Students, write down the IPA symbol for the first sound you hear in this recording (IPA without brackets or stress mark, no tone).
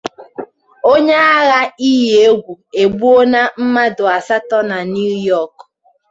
o